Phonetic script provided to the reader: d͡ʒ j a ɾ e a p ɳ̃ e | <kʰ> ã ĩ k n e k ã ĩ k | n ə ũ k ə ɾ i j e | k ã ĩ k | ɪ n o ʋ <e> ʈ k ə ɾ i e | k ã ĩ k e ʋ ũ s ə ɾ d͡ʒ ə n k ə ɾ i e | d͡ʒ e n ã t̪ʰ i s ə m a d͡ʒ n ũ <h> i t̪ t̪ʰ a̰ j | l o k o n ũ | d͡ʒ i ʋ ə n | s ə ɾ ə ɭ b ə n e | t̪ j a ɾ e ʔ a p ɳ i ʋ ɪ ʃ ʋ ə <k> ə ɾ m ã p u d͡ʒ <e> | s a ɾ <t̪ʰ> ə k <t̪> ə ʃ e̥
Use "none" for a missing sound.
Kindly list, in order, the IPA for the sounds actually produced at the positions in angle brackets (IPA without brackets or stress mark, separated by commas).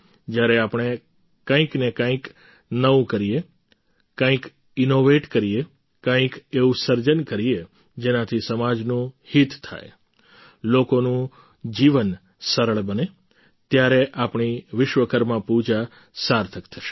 k, e, h, k, a, t̪ʰ, t̪ʰ